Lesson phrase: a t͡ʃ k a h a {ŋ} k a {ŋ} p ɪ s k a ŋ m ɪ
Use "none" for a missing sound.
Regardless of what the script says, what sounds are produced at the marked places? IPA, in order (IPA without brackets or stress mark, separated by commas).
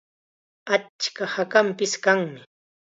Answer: none, m